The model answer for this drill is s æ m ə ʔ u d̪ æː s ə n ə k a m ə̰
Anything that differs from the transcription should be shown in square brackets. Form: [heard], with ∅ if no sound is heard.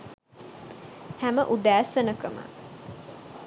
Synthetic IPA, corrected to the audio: [h] æ m ə ʔ u d̪ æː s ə n ə k [ə] m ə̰